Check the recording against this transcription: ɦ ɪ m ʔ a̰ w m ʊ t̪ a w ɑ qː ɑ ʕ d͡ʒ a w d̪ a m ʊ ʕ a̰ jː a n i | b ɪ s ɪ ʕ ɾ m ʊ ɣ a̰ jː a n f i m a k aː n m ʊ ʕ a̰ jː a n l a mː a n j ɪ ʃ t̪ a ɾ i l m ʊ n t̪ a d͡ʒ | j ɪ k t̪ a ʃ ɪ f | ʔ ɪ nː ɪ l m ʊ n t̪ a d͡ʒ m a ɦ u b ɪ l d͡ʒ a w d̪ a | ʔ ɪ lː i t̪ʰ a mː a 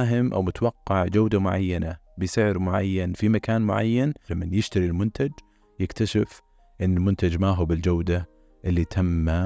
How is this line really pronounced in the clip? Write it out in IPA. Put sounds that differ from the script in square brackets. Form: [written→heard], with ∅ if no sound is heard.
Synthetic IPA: ɦ ɪ m ʔ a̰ w m ʊ t̪ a w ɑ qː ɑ ʕ d͡ʒ a w d̪ a m ʊ ʕ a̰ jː a n [i→a] | b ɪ s ɪ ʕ ɾ m ʊ [ɣ→ʕ] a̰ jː a n f i m a k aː n m ʊ ʕ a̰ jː a n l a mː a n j ɪ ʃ t̪ a ɾ i l m ʊ n t̪ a d͡ʒ | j ɪ k t̪ a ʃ ɪ f | ʔ ɪ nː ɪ l m ʊ n t̪ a d͡ʒ m a ɦ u b ɪ l d͡ʒ a w d̪ a | ʔ ɪ lː i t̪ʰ a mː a